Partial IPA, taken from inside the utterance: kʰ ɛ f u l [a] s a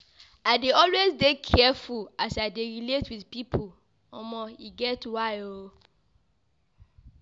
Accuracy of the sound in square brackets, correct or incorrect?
correct